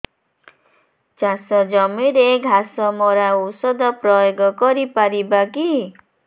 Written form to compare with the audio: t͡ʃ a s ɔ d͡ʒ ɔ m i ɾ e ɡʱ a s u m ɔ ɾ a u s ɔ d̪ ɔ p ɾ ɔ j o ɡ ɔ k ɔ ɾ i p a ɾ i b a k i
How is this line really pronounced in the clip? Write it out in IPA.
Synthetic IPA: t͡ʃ a s ɔ d͡ʒ ɔ m i ɾ e ɡʱ a s ɔ m ɔ ɾ a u s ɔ d̪ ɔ p ɾ ɔ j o ɡ ɔ k ɔ ɾ i p a ɾ i b a k i